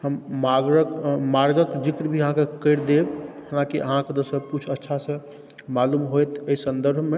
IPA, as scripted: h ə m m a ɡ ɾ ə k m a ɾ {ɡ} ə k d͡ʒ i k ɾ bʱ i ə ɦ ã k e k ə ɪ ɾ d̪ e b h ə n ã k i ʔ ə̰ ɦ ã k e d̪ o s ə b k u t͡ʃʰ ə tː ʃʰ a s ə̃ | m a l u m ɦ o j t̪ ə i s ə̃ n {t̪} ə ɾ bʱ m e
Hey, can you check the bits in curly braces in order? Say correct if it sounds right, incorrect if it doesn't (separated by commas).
correct, incorrect